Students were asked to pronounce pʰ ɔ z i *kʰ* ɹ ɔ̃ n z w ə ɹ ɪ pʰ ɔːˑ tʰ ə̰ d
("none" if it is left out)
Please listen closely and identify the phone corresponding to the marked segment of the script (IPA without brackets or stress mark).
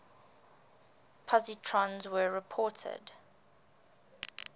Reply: tʰ